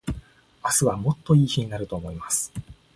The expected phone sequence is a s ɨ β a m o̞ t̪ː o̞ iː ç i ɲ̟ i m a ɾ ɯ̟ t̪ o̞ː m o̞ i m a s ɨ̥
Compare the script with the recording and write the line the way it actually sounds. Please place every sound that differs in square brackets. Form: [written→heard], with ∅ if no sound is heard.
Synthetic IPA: a s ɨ β a m o̞ t̪ː o̞ iː ç i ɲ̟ i [m→n] a ɾ ɯ̟ t̪ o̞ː m o̞ i m a s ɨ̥